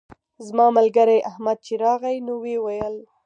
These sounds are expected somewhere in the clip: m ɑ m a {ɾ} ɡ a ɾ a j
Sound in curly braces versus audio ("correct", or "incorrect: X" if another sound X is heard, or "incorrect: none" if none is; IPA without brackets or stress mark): incorrect: l